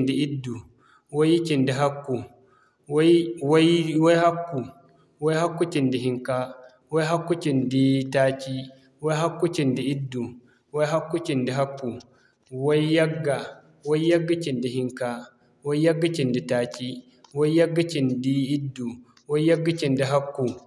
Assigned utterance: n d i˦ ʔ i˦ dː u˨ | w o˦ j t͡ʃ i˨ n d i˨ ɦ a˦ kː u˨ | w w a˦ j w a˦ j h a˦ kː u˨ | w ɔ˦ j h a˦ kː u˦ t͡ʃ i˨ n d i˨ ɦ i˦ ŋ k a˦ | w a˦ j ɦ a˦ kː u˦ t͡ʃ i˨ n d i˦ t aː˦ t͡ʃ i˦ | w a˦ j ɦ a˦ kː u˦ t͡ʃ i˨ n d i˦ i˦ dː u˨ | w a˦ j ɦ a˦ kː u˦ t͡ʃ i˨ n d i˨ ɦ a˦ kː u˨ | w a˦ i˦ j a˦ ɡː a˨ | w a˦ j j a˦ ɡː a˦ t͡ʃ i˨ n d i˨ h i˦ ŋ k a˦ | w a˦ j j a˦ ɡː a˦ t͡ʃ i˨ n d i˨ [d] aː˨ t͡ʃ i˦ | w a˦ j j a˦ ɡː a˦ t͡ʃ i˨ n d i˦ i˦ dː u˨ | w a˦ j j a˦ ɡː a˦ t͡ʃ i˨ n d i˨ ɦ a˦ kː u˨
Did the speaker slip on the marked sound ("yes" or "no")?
yes